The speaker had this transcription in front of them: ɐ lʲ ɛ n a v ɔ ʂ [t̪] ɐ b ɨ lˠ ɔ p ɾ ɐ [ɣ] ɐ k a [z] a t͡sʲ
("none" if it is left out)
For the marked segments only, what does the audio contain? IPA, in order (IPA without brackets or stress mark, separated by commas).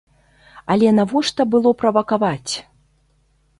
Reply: t̪, v, v